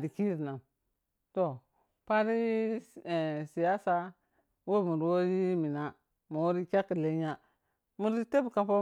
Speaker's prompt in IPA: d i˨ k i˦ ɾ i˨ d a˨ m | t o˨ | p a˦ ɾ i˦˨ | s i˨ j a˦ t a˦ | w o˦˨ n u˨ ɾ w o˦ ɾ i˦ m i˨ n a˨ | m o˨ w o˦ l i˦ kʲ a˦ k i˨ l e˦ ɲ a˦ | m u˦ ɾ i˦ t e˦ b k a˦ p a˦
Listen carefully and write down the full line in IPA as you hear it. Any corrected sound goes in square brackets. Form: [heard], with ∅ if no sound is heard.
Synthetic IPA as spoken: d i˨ k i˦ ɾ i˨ [n] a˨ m | t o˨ | p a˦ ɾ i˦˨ | s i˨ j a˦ [s] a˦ | w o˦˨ [m] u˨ ɾ w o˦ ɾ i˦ m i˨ n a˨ | m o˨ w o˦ [ɾ] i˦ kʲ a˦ k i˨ l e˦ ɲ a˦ | m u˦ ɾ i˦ t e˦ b k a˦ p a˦